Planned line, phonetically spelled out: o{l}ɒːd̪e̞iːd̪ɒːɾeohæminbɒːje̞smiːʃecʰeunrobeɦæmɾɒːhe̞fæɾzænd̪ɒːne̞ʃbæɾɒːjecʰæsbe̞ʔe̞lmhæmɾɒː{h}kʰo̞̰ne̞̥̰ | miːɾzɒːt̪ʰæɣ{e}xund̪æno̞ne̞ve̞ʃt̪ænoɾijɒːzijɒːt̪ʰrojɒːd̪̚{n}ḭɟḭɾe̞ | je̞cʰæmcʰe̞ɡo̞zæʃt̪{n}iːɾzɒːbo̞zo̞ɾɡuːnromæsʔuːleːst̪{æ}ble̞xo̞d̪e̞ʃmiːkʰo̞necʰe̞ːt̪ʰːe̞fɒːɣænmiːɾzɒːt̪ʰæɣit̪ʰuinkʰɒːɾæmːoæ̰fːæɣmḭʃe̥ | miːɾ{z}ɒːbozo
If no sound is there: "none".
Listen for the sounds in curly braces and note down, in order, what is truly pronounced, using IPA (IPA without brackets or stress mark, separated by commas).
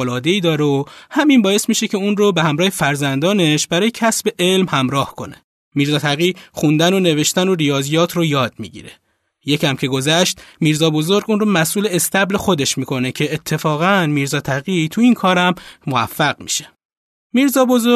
l, h, i, m, m, æ, z